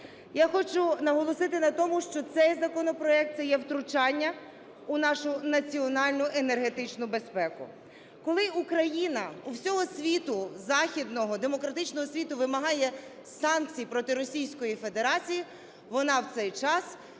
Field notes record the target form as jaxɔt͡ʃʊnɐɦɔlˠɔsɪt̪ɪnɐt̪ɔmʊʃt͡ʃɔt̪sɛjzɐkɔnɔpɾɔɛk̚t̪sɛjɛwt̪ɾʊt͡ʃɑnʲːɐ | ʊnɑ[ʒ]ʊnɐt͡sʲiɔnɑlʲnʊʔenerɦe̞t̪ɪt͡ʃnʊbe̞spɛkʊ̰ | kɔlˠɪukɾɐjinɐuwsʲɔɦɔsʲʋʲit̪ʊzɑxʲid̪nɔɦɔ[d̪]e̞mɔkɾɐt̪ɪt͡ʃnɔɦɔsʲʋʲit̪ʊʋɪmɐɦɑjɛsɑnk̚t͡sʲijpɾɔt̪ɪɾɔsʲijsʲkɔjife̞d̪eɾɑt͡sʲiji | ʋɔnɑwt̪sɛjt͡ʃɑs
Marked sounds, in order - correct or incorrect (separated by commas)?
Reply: incorrect, correct